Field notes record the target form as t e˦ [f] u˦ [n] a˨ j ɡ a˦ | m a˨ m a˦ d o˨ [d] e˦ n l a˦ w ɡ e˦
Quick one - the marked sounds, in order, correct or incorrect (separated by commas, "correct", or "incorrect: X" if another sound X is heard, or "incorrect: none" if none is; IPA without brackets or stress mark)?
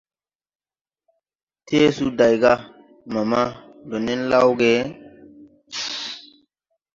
incorrect: s, incorrect: d, incorrect: n